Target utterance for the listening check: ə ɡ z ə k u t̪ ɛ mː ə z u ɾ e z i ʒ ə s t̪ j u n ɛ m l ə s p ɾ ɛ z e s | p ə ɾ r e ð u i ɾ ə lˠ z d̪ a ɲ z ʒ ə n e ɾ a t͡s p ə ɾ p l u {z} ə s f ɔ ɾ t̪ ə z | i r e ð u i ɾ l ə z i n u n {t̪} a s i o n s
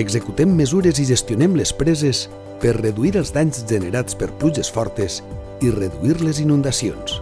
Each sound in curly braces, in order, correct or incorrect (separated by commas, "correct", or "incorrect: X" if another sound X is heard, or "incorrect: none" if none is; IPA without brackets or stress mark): incorrect: ʒ, incorrect: d̪